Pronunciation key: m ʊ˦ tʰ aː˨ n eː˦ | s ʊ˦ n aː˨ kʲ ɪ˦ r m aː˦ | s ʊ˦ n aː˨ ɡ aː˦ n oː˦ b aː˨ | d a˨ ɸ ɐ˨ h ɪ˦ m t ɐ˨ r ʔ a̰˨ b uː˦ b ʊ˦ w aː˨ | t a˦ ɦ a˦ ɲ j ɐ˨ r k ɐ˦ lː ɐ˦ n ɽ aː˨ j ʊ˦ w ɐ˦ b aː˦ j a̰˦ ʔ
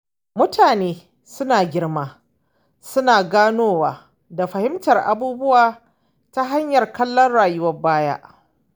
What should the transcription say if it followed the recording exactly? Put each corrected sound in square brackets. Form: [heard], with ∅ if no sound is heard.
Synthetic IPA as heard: m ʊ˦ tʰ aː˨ n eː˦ | s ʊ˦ n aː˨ [ɡʲ] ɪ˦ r m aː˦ | s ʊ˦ n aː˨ ɡ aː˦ n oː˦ [w] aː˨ | d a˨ ɸ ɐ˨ h ɪ˦ m t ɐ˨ r ʔ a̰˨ b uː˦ b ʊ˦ w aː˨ | t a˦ ɦ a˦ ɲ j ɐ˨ r k ɐ˦ lː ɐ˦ n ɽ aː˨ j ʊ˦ w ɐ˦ b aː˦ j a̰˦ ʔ